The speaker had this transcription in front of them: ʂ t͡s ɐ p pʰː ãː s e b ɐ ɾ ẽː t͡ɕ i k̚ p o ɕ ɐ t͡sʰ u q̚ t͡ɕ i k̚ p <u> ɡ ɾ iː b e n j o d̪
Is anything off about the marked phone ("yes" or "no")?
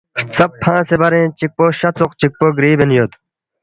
yes